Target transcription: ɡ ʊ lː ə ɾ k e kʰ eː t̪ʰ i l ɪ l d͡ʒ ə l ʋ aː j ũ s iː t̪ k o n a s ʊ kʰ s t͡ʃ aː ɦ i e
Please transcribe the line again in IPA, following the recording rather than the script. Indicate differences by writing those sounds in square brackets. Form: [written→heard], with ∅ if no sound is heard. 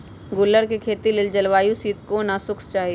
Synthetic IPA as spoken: ɡ ʊ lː ə ɾ k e kʰ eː [t̪ʰ→t̪] i l ɪ l d͡ʒ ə l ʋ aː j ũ s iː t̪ k o n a s ʊ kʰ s t͡ʃ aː ɦ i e